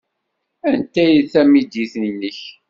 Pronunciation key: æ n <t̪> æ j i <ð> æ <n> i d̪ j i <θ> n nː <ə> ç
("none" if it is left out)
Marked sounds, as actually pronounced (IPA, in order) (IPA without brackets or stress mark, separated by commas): t̪, θ, m, θ, ə